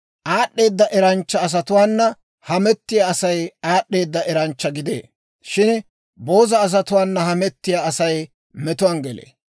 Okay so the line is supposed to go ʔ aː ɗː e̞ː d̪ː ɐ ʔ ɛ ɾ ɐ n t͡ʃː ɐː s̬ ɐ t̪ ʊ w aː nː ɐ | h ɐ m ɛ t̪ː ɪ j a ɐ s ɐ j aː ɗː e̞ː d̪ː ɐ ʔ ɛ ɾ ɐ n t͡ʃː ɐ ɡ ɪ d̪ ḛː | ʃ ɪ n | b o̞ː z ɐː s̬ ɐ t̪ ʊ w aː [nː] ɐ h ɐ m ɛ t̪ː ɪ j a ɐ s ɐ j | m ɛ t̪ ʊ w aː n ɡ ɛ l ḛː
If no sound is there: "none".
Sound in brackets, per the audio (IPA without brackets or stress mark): nː